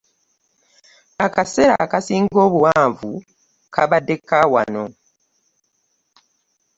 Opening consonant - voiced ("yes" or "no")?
no